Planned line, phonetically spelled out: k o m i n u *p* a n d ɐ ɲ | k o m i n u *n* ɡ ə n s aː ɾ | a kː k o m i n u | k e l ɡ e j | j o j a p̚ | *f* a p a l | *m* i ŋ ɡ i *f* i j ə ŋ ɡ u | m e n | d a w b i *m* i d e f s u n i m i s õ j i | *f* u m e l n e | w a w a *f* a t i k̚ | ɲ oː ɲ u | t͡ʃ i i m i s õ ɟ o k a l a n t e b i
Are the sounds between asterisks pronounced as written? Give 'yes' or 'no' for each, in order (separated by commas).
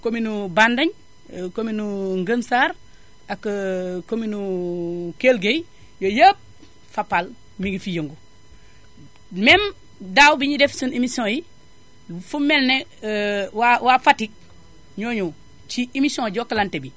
no, no, yes, yes, yes, no, yes, yes